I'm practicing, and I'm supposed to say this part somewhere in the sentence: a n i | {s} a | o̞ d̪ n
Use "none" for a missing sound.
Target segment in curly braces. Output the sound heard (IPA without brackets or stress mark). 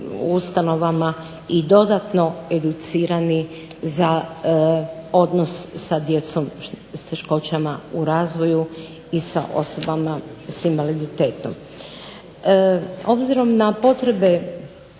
z